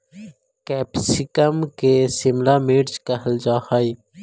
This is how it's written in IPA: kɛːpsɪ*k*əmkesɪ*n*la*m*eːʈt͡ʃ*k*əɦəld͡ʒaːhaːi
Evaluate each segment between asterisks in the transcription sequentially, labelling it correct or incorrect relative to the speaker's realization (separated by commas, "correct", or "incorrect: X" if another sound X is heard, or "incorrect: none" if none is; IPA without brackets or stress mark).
correct, incorrect: m, correct, correct